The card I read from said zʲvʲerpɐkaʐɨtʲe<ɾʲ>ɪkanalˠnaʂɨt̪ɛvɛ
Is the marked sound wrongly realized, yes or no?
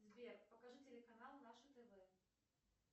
yes